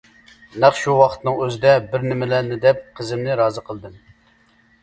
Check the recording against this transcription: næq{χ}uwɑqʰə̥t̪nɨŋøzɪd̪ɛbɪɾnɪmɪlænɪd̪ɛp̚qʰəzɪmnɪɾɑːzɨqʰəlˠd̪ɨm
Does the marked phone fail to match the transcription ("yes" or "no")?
yes